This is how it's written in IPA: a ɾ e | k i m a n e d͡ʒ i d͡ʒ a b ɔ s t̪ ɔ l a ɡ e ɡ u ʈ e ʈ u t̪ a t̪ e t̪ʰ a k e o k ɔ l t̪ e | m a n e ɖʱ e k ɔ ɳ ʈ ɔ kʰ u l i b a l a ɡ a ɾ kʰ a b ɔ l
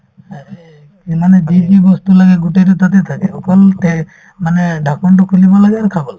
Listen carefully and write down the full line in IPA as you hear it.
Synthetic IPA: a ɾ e | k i m a n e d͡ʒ i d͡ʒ i b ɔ s t̪ u l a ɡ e ɡ u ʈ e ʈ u t̪ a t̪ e t̪ʰ a k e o k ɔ l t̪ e | m a n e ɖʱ a k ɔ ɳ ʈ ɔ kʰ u l i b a l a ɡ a ɾ kʰ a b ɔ l